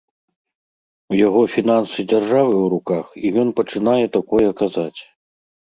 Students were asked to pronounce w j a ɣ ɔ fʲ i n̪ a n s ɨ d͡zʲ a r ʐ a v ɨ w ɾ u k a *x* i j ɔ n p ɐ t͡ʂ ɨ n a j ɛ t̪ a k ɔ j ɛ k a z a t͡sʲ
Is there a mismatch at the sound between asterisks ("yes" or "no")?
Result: no